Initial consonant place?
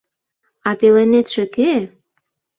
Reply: labial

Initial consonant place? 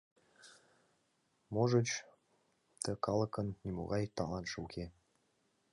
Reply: labial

